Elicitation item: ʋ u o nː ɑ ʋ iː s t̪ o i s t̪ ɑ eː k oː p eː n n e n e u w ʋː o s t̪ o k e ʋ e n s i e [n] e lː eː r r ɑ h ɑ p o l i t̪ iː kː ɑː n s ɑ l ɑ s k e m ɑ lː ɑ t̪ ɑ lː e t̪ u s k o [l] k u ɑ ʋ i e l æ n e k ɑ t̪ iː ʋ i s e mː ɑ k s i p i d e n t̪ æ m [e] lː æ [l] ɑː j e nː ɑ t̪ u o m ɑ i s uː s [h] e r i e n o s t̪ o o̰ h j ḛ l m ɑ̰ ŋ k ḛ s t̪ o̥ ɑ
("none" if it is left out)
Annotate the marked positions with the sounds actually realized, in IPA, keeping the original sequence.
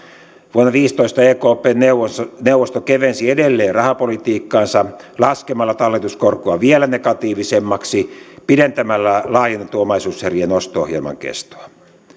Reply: d, r, æ, l, h

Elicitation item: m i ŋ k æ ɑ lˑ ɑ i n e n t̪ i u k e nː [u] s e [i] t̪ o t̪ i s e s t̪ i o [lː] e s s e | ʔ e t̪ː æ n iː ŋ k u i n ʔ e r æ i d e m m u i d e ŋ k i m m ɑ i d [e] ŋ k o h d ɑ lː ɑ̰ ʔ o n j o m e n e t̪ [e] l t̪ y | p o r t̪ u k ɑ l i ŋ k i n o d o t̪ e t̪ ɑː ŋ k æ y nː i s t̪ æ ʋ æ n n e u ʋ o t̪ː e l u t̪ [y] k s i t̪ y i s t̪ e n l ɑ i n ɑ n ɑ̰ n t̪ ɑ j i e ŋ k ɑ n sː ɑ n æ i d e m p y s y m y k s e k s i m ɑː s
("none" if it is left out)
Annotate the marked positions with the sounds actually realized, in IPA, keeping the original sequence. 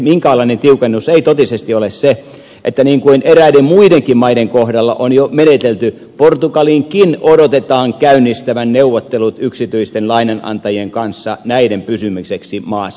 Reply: u, i, l, e, e, y

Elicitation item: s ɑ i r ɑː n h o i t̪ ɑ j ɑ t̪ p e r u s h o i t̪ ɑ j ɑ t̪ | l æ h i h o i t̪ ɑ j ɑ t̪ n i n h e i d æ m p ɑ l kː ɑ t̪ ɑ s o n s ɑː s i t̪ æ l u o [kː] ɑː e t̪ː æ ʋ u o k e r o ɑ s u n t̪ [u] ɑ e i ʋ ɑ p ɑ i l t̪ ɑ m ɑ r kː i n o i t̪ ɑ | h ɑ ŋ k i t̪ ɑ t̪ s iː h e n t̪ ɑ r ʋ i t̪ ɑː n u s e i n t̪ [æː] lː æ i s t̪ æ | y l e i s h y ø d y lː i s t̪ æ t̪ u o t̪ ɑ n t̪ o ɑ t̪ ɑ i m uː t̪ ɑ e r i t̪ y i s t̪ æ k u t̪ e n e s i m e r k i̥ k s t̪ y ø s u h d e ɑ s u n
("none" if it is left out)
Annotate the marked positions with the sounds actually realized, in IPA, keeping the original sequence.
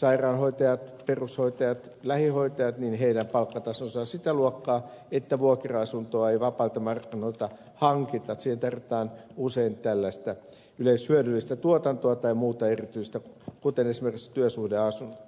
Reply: kː, o, æ

